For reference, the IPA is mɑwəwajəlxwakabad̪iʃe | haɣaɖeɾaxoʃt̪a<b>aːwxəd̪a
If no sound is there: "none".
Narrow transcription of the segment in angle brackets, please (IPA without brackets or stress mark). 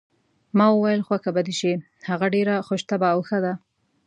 b